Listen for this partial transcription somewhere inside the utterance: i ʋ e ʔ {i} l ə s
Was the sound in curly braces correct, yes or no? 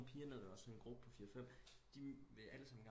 no